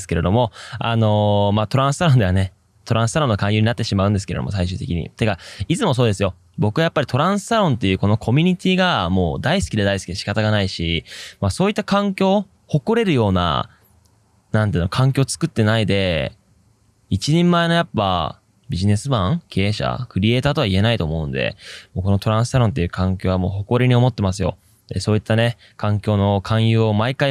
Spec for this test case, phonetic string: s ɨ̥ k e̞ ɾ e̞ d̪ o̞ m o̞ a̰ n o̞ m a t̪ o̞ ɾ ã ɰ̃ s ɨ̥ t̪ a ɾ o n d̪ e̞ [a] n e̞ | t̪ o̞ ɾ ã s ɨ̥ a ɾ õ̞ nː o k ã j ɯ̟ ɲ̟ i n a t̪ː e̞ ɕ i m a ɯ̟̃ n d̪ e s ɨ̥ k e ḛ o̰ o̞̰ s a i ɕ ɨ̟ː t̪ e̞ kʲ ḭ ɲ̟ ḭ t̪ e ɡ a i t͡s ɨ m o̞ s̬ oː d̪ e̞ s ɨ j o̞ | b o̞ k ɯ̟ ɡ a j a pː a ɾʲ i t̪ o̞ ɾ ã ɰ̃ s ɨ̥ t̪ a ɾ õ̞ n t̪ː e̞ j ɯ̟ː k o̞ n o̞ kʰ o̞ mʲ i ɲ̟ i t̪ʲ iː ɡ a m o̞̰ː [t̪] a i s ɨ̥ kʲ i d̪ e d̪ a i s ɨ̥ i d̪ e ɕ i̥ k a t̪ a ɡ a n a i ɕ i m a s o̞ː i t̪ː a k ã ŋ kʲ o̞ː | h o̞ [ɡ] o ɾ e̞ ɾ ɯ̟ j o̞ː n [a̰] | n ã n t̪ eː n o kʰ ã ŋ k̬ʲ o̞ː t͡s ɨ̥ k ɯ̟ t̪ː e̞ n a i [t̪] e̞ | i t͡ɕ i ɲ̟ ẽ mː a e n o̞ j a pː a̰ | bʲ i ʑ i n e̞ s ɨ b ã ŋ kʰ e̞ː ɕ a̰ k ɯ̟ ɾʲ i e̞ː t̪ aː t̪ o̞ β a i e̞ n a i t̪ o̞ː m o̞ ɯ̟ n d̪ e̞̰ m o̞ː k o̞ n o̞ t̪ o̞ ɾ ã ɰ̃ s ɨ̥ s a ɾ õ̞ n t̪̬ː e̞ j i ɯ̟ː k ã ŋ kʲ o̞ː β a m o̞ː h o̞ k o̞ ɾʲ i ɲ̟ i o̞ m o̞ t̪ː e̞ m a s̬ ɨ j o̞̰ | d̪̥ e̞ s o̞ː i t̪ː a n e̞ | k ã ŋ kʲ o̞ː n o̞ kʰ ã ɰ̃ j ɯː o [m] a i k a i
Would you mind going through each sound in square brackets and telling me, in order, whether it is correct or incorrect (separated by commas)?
correct, incorrect, incorrect, correct, incorrect, correct